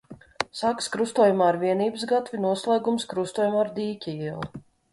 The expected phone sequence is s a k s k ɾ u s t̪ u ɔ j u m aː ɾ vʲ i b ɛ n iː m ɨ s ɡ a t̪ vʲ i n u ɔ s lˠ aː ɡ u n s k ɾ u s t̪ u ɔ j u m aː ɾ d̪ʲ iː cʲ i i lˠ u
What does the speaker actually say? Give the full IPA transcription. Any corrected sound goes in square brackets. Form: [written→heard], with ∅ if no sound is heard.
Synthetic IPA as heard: s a k s k ɾ u s t̪ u ɔ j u m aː ɾ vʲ i [b→∅] ɛ n iː [m→b] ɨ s ɡ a t̪ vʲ i n u ɔ s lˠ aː ɡ u [n→m] s k ɾ u s t̪ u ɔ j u m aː ɾ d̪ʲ iː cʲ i i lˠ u